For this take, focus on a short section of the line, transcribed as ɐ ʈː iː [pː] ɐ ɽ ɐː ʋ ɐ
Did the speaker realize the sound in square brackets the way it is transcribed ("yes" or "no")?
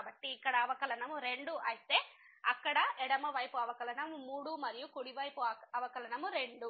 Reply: no